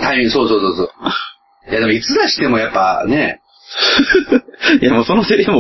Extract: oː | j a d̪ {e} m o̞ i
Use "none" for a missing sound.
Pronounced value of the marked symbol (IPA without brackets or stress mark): e